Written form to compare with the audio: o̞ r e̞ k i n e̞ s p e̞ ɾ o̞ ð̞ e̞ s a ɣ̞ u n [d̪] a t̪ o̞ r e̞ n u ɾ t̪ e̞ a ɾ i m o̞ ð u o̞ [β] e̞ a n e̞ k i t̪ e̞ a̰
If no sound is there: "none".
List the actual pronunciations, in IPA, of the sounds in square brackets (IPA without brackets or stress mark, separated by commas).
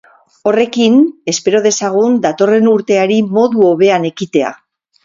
d̪, β